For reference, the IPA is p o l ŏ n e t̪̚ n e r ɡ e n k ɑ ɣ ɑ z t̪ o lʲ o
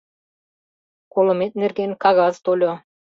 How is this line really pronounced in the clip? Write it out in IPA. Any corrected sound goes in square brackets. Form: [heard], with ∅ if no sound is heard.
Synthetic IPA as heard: [k] o l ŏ [m] e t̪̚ n e r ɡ e n k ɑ ɣ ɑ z t̪ o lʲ o

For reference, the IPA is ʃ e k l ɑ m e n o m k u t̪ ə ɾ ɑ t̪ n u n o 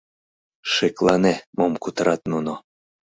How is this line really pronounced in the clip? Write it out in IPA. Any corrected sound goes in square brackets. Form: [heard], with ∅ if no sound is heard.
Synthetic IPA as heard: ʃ e k l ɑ [n] e [m] o m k u t̪ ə ɾ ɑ t̪ n u n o

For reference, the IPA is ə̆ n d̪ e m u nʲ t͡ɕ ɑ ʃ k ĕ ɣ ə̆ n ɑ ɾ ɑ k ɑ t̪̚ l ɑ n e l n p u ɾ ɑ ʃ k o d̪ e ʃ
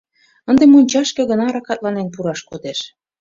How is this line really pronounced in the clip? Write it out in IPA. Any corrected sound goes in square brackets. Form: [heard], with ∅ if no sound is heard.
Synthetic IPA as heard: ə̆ n d̪ e m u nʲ t͡ɕ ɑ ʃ k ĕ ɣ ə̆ n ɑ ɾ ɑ k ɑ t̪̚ l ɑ n e [∅] n p u ɾ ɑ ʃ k o d̪ e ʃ

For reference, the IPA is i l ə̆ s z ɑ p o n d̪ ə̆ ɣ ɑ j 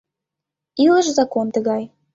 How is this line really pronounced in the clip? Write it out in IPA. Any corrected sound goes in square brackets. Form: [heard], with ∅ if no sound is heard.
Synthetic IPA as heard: i l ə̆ [ʃ] z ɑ [k] o n [t̪] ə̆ ɣ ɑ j

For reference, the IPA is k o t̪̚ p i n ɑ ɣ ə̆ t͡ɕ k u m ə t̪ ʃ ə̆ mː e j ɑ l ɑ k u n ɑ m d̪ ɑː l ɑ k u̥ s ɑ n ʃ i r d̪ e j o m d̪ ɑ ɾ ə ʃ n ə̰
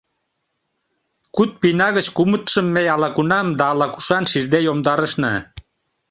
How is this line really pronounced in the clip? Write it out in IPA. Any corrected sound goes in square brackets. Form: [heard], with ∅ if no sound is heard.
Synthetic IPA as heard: k [u] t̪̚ p i n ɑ ɣ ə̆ t͡ɕ k u m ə t̪ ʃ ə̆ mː e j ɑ l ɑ k u n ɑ m d̪ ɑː l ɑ k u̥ [ʃ] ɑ n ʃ i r d̪ e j o m d̪ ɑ ɾ ə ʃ n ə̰

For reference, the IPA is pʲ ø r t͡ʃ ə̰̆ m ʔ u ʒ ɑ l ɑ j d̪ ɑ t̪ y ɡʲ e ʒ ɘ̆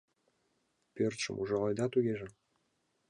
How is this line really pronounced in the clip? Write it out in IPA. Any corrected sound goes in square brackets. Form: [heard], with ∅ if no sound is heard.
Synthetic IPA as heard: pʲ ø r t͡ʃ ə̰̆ m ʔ u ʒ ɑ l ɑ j d̪ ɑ t̪ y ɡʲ e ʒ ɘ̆

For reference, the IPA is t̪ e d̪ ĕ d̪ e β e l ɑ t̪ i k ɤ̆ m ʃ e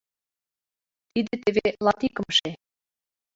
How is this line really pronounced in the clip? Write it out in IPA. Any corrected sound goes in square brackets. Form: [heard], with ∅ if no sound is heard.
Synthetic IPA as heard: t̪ [i] d̪ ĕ [t̪] e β e l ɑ t̪ i k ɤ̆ m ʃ e

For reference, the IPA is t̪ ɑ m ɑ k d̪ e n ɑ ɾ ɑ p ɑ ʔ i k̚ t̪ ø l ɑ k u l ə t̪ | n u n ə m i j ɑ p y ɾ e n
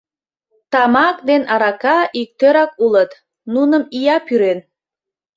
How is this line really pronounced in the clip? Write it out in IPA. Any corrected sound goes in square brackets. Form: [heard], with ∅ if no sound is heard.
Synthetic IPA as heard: t̪ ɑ m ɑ k d̪ e n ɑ ɾ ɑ [k] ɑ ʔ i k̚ t̪ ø [ɾ] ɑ k u l ə t̪ | n u n ə m i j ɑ p y ɾ e n

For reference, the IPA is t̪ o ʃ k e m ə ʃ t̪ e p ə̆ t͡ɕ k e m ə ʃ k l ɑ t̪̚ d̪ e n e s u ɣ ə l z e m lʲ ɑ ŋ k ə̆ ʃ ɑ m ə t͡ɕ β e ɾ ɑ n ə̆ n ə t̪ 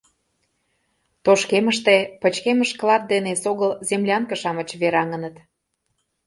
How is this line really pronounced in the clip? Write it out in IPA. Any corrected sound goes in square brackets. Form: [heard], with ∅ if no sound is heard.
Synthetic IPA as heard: t̪ o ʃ k e m ə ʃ t̪ e p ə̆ t͡ɕ k e m ə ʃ k l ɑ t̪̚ d̪ e n e s [o] ɣ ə l z e m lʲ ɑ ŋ k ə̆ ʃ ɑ m ə t͡ɕ β e ɾ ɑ [ŋ] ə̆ n ə t̪

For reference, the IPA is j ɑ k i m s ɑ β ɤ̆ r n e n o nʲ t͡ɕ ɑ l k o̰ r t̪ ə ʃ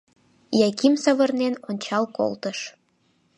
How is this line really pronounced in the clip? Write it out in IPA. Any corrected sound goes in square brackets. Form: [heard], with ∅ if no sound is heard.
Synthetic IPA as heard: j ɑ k i m s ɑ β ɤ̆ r n e n o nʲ t͡ɕ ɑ l k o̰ [l] t̪ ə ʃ

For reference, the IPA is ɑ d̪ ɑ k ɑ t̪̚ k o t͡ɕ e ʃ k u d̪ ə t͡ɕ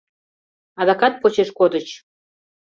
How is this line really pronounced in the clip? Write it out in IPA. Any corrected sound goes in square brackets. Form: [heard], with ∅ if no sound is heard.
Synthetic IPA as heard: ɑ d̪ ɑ k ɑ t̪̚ [p] o t͡ɕ e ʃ k [o] d̪ ə t͡ɕ

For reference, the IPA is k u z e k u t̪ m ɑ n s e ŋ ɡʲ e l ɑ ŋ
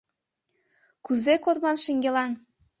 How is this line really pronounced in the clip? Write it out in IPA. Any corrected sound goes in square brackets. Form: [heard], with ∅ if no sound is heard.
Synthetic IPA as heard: k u z e k [o] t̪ m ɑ n [ʃ] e ŋ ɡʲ e l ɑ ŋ

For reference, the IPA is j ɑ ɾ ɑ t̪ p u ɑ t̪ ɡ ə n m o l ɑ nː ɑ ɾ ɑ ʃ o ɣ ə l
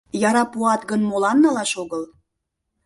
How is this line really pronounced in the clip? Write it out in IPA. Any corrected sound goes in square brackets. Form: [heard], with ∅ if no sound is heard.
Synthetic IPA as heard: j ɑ ɾ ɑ [∅] p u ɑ t̪ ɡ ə n m o l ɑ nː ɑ [l] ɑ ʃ o ɣ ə l

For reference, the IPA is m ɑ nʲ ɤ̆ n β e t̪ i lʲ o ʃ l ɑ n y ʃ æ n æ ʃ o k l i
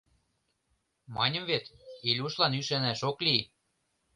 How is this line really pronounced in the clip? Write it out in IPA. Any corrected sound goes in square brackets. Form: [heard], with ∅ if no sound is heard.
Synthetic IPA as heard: m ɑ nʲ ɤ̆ [m] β e t̪ i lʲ [u] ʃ l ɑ n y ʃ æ n æ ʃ o k l i

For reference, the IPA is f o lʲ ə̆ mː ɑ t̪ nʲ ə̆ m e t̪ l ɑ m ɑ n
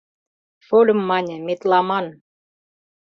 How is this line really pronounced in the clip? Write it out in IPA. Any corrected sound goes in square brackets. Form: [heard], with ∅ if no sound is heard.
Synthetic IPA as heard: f o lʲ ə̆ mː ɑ [∅] nʲ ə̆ m e t̪ l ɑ m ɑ n

